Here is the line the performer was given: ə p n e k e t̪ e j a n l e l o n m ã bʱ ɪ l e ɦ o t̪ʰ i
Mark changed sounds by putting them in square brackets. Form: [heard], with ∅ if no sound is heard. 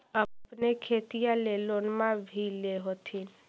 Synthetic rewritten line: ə p n e [kʰ] e t̪ [i] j a [∅] l e l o n m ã bʱ [i] l e ɦ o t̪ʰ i